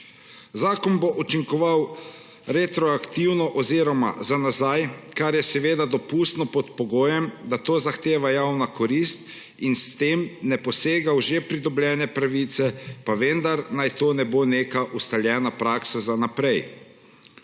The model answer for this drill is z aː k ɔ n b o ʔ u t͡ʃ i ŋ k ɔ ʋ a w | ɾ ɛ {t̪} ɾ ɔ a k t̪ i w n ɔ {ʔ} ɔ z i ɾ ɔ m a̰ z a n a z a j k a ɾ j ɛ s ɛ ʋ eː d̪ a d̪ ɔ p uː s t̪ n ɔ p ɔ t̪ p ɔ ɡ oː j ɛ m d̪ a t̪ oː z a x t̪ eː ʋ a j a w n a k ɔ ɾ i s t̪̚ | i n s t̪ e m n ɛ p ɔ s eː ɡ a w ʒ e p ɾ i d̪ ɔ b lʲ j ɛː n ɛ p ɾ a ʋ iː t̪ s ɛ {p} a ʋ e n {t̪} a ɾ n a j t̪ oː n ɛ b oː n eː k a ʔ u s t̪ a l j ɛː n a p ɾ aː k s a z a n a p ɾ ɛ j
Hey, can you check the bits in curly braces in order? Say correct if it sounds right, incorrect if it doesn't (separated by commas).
correct, correct, correct, incorrect